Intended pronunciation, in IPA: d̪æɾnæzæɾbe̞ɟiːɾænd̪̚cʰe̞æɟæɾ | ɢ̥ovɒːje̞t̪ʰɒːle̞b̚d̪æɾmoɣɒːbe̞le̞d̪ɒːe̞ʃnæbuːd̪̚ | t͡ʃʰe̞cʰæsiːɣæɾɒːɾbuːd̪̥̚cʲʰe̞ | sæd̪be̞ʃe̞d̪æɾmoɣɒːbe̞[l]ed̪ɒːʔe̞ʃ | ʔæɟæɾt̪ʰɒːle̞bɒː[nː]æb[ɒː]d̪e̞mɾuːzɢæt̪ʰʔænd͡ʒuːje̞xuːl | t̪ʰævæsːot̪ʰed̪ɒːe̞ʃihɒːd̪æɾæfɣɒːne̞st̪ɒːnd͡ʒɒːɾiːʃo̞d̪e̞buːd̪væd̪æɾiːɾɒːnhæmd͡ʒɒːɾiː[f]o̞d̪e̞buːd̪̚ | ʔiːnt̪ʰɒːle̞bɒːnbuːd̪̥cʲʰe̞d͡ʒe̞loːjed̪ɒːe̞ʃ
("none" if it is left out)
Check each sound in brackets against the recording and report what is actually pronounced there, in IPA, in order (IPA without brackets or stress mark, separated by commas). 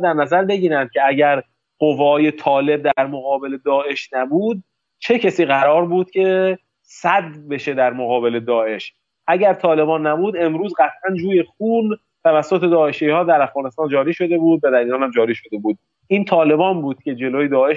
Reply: l, nː, uː, ʃ